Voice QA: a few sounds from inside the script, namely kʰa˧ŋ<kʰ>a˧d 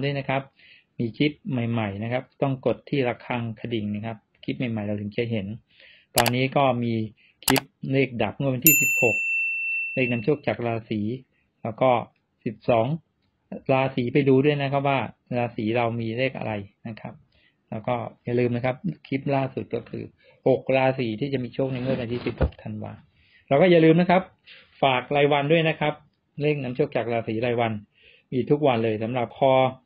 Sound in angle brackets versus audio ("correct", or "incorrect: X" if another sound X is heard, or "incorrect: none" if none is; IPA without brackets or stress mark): correct